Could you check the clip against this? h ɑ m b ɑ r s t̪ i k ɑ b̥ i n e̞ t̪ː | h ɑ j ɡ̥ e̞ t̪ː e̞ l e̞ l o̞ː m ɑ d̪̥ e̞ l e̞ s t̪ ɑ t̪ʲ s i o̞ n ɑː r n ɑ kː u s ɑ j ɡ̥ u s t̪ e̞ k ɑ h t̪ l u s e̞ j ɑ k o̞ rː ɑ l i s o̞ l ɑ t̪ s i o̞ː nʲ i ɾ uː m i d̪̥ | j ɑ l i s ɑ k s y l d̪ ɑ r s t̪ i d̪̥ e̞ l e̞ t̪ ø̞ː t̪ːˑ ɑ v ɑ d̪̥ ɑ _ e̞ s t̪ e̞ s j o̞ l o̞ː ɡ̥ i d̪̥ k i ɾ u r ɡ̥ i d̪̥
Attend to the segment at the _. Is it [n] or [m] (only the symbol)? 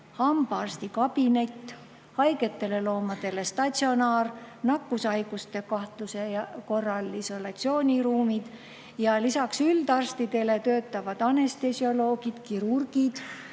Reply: n